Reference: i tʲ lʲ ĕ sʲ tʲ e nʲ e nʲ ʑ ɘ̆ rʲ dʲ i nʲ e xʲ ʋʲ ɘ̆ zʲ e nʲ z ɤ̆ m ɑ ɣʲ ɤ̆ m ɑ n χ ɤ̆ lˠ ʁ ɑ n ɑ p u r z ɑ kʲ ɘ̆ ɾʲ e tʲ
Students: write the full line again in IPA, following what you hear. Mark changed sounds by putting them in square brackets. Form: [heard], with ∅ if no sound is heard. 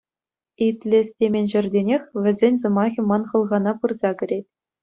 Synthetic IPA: i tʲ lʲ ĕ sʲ tʲ e [mʲ] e nʲ ʑ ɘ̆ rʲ dʲ [e] nʲ e xʲ ʋʲ ɘ̆ zʲ e nʲ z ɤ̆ m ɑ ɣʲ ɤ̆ m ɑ n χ ɤ̆ lˠ ʁ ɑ n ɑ p [ɯ] r z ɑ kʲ ɘ̆ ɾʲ e tʲ